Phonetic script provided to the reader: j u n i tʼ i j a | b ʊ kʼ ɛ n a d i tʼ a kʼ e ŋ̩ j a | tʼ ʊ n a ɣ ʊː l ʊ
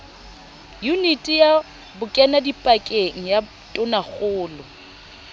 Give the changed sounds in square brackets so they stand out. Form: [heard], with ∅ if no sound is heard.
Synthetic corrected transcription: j u n i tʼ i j a | b ʊ kʼ ɛ n a d i [pʼ] a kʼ e ŋ̩ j a | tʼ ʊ n a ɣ ʊː l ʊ

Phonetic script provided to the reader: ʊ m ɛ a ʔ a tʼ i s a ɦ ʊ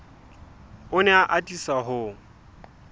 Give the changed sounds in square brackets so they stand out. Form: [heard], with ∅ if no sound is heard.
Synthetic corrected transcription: ʊ [n] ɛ a ʔ a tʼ i s a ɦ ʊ

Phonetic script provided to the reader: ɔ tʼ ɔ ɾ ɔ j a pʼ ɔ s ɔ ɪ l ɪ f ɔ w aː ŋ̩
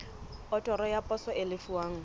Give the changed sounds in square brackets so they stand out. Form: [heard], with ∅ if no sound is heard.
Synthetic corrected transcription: ɔ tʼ ɔ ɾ ɔ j a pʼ ɔ s ɔ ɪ l ɪ f [u] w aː ŋ̩

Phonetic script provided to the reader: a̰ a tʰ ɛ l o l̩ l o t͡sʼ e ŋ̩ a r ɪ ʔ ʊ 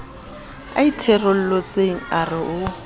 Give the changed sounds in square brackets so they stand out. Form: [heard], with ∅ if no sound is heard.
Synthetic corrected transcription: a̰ [i] tʰ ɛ [r] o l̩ l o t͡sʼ e ŋ̩ a r ɪ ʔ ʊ

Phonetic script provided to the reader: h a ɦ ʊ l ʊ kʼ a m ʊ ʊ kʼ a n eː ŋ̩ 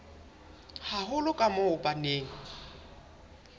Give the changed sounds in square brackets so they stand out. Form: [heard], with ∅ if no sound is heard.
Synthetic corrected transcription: h a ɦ ʊ l ʊ kʼ a m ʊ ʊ [pʼ] a n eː ŋ̩

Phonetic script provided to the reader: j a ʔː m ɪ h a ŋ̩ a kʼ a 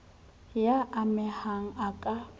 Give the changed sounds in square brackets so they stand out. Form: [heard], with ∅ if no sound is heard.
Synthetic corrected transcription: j a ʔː m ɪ h a ŋ̩ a kʼ a

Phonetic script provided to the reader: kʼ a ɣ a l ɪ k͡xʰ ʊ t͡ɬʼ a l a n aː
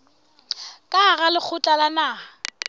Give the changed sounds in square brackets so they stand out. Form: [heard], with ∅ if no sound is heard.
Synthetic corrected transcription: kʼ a ɣ a l ɪ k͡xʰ ʊ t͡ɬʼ a l a n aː

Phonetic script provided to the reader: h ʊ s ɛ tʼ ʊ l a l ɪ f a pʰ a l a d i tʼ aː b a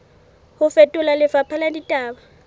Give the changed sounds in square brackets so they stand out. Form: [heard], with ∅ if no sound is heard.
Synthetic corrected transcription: h ʊ [f] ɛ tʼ ʊ l a l ɪ f a pʰ a l a d i tʼ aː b a

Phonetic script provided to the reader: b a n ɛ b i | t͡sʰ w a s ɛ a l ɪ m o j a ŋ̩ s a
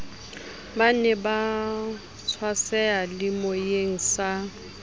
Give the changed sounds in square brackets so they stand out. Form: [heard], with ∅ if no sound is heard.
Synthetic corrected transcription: b a n ɛ b [a] | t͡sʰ w a s ɛ a l ɪ m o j [e] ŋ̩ s a

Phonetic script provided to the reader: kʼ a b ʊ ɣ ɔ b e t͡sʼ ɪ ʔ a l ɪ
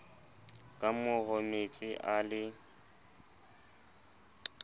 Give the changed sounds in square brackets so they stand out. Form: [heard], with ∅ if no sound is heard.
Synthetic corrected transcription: kʼ a [m] ʊ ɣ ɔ [m] e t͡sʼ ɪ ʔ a l ɪ

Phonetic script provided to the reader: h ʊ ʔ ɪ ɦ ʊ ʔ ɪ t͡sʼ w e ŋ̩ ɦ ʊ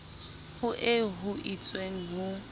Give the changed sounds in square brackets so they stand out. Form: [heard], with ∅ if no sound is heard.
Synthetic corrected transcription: h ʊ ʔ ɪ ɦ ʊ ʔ [i] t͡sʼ w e ŋ̩ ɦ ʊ

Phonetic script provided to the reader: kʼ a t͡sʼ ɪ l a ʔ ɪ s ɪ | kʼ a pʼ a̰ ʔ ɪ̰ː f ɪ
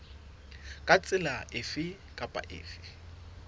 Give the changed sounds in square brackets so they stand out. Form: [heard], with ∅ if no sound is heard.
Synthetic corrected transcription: kʼ a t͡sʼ ɪ l a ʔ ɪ [f] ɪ | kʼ a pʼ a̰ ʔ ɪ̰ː f ɪ

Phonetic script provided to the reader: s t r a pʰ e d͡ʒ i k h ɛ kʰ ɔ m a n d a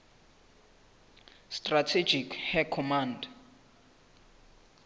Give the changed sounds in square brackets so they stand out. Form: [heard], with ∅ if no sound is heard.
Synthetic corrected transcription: s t r a [tʰ] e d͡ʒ i k h ɛ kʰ ɔ m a n d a

